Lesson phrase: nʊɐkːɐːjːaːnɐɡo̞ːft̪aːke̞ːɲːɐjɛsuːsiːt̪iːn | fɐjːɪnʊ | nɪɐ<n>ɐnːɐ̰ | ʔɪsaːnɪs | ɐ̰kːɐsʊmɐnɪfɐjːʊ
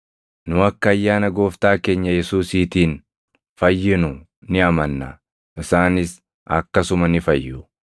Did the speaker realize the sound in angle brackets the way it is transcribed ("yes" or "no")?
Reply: no